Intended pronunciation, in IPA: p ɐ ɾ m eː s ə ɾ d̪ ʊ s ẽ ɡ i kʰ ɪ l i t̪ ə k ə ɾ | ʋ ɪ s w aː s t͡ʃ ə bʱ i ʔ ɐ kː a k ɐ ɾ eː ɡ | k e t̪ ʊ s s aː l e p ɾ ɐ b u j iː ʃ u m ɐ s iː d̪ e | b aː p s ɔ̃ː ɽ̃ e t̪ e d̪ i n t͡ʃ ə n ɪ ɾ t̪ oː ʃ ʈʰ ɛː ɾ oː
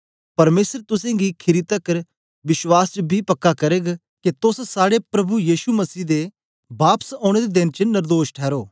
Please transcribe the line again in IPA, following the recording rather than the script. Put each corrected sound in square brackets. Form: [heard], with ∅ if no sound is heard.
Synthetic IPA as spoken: p ɐ ɾ m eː s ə ɾ [t̪] ʊ s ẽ ɡ i kʰ ɪ [ɾ] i t̪ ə k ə ɾ | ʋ ɪ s w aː s t͡ʃ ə bʱ i [p] ɐ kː a k ɐ ɾ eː ɡ | k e t̪ ʊ s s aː [ɽ] e p ɾ ɐ b u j iː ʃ u m ɐ s iː d̪ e | b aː p s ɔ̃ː ɽ̃ e [d̪] e d̪ [ɪ] n t͡ʃ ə n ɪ ɾ [d̪] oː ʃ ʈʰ ɛː ɾ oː